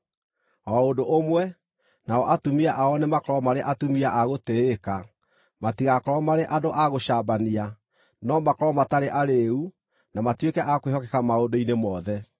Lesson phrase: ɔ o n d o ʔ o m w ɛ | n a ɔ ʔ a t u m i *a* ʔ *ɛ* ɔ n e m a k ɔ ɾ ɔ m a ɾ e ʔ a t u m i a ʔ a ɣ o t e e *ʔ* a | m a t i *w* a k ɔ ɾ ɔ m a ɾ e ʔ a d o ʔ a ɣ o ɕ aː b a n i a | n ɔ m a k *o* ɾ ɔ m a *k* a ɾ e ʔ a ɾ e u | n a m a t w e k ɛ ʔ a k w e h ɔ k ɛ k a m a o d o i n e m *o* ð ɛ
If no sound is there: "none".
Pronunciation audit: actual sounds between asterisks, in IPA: a, a, k, ɣ, ɔ, t, ɔ

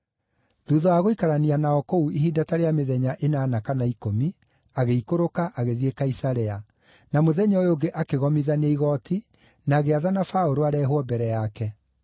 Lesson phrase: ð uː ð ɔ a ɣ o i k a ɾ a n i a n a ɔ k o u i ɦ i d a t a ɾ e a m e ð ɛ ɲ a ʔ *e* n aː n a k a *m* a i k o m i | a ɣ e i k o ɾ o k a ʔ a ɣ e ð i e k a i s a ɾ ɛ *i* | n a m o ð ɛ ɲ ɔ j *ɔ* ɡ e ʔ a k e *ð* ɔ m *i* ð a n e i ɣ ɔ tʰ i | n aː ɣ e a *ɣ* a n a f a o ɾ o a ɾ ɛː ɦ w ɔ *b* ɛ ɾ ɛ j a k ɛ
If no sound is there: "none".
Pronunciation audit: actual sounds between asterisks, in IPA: e, n, a, o, ɣ, i, ð, b

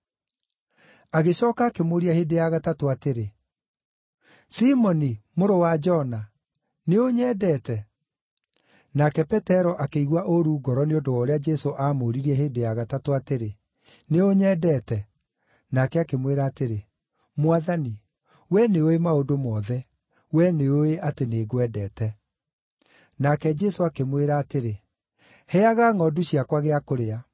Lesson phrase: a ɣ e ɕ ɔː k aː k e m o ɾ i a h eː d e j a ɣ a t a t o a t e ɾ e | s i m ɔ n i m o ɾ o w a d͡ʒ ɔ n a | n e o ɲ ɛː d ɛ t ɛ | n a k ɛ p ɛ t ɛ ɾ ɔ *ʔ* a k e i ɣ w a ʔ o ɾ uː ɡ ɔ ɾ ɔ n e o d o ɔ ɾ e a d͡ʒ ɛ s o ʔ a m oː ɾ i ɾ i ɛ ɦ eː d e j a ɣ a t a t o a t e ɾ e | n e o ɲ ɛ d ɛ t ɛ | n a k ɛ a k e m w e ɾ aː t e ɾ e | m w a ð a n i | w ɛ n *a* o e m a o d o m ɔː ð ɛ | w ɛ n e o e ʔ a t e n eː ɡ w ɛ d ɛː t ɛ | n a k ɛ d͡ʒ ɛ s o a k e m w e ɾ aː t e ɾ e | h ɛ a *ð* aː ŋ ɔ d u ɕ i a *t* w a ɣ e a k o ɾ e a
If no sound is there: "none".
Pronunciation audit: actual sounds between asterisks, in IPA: ʔ, e, ɣ, k

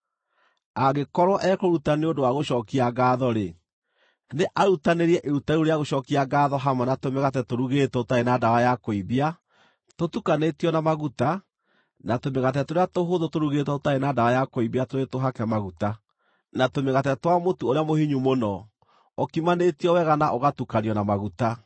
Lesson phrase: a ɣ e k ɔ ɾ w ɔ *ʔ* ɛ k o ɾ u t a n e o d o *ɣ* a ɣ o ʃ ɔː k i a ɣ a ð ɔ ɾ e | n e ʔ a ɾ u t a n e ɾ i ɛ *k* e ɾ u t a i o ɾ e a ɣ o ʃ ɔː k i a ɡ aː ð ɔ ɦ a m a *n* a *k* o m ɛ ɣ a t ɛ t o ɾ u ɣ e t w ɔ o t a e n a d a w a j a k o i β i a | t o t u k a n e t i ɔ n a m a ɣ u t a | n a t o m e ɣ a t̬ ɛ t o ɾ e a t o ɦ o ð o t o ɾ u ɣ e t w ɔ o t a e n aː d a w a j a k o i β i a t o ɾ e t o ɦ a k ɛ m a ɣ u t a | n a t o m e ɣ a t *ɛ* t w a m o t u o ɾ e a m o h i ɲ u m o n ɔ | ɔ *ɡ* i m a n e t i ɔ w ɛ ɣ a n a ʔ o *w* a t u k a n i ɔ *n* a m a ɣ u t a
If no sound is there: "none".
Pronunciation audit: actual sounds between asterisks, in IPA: ʔ, w, ʔ, n, t, ɛ, k, ɣ, n

